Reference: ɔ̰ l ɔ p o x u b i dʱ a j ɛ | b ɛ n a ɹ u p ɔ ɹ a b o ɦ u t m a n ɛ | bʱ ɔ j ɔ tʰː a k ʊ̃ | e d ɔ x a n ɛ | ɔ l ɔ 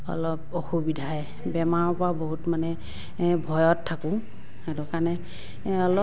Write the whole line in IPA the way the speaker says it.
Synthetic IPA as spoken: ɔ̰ l ɔ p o x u b i dʱ a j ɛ | b ɛ m a ɹ ɔ p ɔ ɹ a b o ɦ u t m a n ɛ | bʱ ɔ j ɔ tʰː a k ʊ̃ | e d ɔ k a n ɛ | ɔ l ɔ